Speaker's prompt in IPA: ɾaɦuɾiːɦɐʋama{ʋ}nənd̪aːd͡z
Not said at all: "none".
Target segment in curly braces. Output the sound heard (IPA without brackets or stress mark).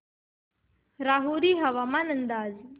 none